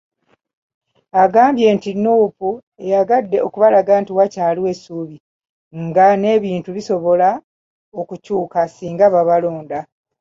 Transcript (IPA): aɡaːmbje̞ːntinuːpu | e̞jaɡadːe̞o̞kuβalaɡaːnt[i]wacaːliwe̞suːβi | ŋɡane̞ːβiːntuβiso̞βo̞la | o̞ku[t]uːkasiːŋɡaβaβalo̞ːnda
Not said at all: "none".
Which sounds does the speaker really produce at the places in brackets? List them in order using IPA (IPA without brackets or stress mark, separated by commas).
i, c